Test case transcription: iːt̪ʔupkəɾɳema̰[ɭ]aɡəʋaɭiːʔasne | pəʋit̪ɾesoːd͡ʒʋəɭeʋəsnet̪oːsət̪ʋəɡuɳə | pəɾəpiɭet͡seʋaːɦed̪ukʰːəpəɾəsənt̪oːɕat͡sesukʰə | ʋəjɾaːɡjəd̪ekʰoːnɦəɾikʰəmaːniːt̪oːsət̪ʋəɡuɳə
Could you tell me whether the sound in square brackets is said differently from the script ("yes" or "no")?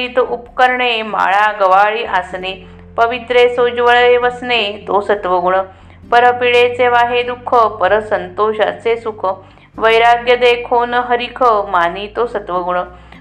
no